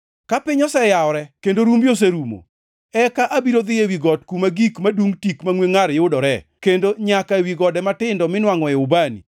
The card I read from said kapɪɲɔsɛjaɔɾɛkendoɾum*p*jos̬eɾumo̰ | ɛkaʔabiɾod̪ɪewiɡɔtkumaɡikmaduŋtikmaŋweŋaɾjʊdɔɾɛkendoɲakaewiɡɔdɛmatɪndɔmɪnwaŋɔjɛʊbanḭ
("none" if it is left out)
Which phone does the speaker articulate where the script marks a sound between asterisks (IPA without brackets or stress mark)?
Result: b